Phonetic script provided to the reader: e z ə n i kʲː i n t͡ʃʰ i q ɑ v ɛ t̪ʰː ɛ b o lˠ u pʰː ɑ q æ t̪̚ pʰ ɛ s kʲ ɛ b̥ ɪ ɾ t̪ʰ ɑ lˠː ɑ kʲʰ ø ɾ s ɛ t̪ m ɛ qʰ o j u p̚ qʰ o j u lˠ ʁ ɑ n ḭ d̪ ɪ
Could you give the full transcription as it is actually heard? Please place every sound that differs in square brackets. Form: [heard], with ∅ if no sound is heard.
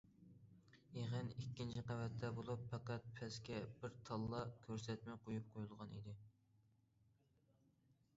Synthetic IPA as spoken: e [ʁ] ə n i kʲː i n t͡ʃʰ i q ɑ v ɛ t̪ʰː ɛ b o lˠ u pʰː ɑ q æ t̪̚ pʰ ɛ s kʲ ɛ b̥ ɪ ɾ t̪ʰ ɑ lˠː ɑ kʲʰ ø ɾ s ɛ t̪ m ɛ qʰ o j u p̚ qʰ o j u lˠ ʁ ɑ n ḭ d̪ ɪ